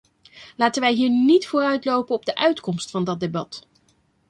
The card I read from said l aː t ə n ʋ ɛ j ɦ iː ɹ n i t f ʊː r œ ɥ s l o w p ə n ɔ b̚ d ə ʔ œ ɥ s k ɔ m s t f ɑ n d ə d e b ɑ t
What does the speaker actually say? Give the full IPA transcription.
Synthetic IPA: l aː t ə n ʋ ɛ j ɦ iː ɹ n i t f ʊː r œ ɥ t l o w p ə n ɔ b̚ d ə ʔ œ ɥ t k ɔ m s t f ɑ n d ɑ d e b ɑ t